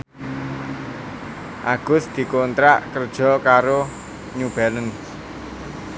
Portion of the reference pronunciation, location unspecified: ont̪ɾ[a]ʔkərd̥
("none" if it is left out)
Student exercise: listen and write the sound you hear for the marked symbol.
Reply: a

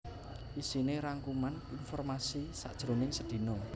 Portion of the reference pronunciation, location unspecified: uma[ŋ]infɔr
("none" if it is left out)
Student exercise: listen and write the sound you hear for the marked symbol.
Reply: n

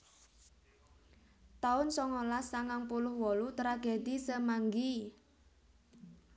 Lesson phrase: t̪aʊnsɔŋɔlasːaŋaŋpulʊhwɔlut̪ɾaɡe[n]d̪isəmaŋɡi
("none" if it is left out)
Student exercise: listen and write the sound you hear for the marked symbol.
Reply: none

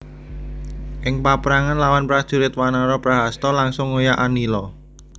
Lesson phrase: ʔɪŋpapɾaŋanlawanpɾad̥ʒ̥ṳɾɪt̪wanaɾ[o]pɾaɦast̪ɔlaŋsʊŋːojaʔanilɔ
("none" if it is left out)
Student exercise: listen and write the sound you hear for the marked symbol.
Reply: ɔ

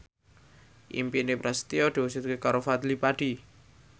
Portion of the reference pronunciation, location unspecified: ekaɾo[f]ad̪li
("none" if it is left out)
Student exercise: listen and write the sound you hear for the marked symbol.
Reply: f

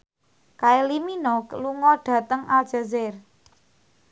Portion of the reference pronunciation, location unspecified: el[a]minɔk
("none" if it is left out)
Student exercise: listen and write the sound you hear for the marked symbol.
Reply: i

